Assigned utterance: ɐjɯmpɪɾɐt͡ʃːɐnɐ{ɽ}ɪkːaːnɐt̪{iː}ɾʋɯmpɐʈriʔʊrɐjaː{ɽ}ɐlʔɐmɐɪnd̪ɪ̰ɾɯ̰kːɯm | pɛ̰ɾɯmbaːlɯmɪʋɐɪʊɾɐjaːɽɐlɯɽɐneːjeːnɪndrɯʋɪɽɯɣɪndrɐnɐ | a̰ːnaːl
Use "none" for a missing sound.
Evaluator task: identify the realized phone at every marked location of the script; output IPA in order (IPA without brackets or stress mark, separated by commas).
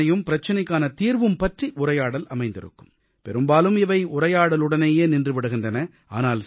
none, iː, ɽ